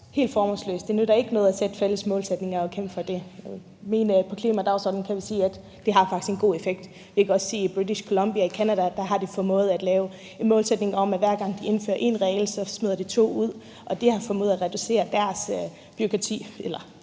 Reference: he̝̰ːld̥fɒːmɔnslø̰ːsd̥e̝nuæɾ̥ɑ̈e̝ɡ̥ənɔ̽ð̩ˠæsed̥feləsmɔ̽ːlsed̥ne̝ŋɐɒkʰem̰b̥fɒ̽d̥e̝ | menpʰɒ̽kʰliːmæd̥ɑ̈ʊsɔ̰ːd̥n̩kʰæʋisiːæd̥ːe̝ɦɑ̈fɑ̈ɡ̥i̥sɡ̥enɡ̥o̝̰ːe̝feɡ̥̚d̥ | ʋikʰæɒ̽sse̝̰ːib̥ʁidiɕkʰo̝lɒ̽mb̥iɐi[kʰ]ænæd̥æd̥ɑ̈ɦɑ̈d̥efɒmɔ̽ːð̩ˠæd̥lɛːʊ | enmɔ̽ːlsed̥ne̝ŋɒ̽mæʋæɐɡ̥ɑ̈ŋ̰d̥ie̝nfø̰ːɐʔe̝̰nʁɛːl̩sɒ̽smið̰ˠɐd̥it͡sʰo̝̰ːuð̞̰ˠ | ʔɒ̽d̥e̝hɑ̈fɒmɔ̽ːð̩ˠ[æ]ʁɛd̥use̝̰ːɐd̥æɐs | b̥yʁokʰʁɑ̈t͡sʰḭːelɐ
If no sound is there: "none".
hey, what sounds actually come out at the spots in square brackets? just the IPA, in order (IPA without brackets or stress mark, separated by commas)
kʰ, æ